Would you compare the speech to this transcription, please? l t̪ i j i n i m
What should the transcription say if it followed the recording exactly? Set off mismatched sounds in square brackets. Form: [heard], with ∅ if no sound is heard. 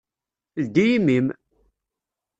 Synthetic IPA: l [d̪] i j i [m] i m